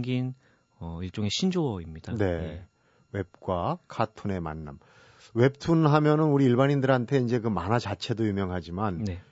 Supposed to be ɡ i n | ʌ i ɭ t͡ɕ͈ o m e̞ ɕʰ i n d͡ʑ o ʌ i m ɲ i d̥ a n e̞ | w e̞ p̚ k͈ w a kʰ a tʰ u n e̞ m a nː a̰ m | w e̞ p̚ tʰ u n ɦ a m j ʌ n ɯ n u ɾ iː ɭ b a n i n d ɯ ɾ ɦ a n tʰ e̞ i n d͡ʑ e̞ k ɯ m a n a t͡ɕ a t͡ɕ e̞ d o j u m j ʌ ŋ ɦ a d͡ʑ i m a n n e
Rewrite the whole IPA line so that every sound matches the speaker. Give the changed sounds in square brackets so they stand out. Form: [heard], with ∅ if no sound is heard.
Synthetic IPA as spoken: ɡ i n | ʌ i ɭ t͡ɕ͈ o [ŋ] e̞ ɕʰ i n d͡ʑ o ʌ i m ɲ i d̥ a n e̞ | w e̞ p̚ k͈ w a kʰ a tʰ u n e̞ m a nː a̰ m | w e̞ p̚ tʰ u n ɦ a m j ʌ n ɯ n u ɾ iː ɭ b a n i n d ɯ ɾ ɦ a n tʰ e̞ i n d͡ʑ e̞ k ɯ m a n a t͡ɕ a [t͡ɕʰ] e̞ d o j u m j ʌ ŋ ɦ a d͡ʑ i m a n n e